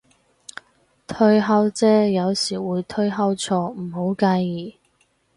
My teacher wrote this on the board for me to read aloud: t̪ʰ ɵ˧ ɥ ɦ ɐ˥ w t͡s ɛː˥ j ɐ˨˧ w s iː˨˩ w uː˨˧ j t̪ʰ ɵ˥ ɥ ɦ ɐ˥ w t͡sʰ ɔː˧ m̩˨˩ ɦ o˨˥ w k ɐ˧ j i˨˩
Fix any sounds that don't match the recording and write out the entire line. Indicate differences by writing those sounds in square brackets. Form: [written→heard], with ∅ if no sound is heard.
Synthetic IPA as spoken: t̪ʰ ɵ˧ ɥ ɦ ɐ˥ w t͡s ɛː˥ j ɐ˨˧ w s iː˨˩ w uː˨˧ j t̪ʰ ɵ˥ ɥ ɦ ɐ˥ w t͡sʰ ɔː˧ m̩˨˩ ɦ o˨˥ w k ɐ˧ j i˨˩